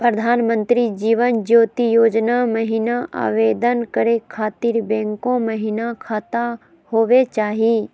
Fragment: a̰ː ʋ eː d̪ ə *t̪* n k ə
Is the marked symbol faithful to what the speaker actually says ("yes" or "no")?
no